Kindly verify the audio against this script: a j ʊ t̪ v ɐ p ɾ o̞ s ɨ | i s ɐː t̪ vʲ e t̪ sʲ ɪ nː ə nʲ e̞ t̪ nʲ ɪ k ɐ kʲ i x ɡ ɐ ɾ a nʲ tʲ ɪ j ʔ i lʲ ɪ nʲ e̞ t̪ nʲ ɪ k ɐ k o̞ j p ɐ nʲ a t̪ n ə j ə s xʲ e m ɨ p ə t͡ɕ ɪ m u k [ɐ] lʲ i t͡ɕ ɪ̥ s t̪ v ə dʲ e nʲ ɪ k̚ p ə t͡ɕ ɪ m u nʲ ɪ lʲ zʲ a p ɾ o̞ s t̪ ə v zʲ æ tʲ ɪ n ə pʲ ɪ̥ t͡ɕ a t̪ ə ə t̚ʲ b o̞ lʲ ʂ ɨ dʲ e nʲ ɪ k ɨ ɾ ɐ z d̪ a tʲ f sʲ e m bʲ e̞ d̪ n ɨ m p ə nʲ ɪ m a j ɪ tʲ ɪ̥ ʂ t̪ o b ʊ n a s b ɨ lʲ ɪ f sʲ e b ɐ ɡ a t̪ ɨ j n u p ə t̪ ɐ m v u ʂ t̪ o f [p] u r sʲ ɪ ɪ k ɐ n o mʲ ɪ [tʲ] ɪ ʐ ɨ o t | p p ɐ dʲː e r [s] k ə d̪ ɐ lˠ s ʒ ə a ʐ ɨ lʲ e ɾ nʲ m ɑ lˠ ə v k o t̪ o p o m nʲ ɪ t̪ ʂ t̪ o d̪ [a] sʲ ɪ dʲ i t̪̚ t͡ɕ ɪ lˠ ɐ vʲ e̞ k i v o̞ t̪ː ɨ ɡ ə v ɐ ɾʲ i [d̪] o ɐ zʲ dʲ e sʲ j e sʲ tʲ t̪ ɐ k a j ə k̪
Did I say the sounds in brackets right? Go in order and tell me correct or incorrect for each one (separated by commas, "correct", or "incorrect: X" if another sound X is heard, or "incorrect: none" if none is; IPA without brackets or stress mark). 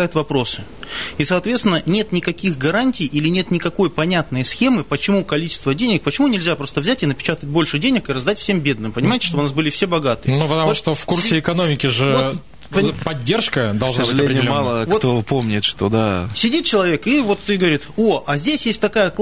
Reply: correct, incorrect: k, incorrect: kʲ, incorrect: ʂ, correct, incorrect: t̪